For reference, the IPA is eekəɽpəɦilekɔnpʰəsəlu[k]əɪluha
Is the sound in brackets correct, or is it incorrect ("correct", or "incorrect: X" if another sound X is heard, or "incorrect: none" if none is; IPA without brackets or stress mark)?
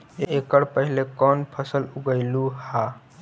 incorrect: ɡ